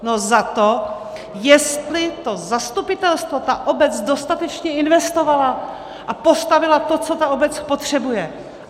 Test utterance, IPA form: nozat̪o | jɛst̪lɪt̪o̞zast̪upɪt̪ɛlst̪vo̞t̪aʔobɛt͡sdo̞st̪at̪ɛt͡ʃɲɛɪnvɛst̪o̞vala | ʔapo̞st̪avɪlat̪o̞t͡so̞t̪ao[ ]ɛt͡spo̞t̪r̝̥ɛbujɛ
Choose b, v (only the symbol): b